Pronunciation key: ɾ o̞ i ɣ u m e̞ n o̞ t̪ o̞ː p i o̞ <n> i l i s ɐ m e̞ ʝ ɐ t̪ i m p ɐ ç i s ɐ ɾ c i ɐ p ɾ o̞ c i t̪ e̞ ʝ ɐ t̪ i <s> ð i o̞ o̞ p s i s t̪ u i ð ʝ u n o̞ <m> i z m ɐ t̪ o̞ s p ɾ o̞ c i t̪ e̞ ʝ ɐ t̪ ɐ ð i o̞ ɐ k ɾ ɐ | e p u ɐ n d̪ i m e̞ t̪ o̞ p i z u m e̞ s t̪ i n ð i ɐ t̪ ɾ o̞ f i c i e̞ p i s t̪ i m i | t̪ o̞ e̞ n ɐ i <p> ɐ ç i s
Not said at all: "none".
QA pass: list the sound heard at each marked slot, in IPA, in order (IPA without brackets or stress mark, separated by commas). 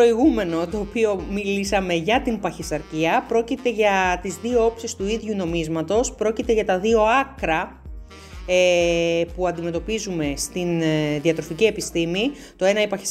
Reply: m, z, m, p